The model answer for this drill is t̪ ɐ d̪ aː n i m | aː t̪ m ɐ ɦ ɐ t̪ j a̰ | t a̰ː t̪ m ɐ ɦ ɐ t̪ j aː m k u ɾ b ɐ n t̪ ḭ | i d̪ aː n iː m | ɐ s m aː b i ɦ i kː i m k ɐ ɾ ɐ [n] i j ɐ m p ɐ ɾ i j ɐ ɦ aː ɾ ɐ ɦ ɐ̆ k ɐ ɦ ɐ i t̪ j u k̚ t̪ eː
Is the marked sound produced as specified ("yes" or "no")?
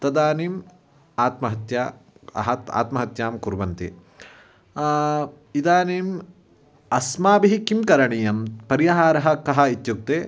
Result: no